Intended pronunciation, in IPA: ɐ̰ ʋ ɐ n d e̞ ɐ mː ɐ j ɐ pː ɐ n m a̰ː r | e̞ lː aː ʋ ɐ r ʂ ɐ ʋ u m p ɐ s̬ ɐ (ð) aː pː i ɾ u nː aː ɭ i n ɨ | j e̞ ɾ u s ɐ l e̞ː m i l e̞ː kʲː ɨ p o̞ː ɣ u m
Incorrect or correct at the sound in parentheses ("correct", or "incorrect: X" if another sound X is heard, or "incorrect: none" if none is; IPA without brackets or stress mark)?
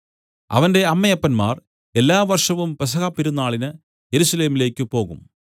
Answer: incorrect: ɣ